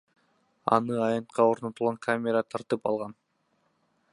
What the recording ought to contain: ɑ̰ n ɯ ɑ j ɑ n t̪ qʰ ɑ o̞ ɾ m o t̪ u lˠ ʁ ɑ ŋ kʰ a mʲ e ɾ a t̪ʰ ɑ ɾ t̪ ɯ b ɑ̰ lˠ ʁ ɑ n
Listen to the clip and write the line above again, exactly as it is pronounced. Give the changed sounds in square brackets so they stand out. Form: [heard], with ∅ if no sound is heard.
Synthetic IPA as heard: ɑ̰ n ɯ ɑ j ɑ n t̪ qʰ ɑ o̞ ɾ [n] o t̪ u lˠ ʁ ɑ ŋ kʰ a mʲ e ɾ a t̪ʰ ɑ ɾ t̪ ɯ [p] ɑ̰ lˠ ʁ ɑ n